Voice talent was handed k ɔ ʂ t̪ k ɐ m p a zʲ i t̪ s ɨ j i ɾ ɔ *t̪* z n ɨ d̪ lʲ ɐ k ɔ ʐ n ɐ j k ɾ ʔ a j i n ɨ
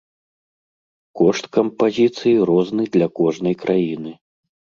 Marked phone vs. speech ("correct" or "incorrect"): incorrect